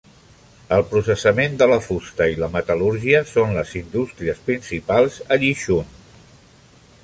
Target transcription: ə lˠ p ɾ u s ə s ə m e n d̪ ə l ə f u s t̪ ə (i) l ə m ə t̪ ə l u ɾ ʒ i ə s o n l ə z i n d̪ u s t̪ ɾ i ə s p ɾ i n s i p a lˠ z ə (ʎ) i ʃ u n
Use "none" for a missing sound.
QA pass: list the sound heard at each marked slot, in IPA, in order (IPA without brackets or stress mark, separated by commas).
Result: i, ʎ